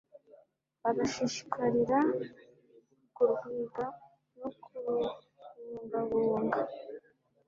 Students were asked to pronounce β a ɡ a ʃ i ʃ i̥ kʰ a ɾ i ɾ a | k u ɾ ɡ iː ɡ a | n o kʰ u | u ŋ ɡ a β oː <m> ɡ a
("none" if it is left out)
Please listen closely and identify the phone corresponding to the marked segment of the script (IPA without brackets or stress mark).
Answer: ŋ